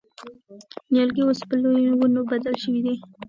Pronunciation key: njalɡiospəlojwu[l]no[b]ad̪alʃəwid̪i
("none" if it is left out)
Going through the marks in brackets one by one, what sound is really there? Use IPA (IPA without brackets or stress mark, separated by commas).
none, b